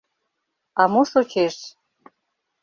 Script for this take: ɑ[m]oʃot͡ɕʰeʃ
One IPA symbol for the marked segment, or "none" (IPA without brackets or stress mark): m